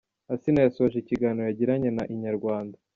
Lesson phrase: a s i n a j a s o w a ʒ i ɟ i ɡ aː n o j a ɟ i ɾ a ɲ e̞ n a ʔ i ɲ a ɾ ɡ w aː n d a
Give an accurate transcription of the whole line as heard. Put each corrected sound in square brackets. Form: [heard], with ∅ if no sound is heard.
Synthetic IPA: a s i n a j a s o [β] a ʒ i [c] i ɡ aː n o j a ɟ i ɾ a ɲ e̞ n a ʔ i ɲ a ɾ ɡ w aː n d a